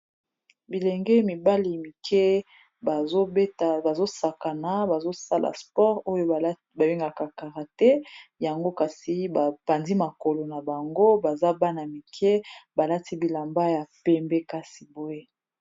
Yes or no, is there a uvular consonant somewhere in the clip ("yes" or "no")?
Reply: yes